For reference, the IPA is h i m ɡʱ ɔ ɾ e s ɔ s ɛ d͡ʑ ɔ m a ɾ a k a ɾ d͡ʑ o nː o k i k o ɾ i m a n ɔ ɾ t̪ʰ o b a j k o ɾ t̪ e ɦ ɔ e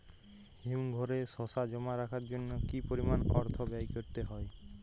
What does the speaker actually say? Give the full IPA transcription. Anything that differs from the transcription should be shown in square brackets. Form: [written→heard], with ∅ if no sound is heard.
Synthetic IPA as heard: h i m ɡʱ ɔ ɾ e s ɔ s [ɛ→a] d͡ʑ ɔ m a ɾ a [k→kʰ] a ɾ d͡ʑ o nː o k i [k→p] o ɾ i m a n ɔ ɾ t̪ʰ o b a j k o ɾ t̪ e ɦ ɔ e